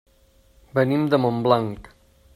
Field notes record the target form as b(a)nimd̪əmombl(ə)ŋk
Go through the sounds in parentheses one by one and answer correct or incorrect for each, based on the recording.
incorrect, incorrect

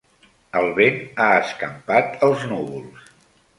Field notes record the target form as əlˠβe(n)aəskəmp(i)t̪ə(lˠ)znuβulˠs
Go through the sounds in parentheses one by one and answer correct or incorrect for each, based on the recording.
correct, incorrect, correct

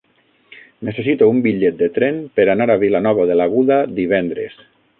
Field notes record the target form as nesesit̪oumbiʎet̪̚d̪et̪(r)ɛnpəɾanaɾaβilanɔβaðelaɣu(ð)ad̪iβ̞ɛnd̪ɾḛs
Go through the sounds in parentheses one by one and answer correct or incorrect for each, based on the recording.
incorrect, correct

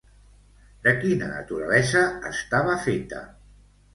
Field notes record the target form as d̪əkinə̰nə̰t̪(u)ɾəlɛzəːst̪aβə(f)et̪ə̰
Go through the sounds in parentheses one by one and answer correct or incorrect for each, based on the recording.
correct, correct

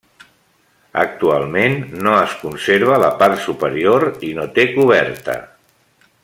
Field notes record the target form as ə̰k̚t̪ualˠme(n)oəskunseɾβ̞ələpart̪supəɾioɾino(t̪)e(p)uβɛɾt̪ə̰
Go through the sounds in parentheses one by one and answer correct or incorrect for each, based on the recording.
incorrect, correct, incorrect

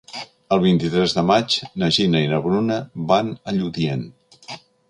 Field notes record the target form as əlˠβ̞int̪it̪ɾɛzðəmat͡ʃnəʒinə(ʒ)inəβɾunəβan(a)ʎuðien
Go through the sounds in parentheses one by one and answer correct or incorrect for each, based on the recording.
incorrect, incorrect

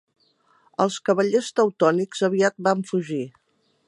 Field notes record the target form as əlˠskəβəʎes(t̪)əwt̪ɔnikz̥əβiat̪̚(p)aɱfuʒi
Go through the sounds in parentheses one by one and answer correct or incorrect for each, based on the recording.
correct, incorrect

